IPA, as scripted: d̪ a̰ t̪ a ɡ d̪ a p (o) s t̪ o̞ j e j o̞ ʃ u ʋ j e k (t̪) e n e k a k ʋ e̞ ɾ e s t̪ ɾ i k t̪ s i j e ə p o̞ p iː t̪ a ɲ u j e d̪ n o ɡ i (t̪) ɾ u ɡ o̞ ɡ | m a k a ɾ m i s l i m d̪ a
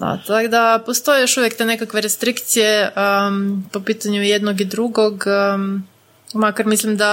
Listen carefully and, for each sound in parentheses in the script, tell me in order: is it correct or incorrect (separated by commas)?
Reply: correct, correct, incorrect